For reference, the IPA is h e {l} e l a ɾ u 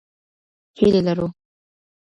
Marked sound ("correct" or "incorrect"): correct